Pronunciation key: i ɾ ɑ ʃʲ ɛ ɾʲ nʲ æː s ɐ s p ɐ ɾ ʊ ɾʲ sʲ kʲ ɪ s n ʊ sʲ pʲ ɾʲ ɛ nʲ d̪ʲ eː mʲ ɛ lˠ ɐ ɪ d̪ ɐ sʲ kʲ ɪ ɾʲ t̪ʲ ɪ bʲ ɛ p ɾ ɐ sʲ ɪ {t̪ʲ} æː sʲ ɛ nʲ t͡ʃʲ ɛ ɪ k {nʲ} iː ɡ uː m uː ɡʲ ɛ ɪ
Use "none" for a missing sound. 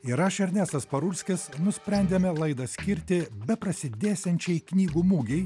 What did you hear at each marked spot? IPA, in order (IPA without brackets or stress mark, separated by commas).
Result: d̪ʲ, nʲ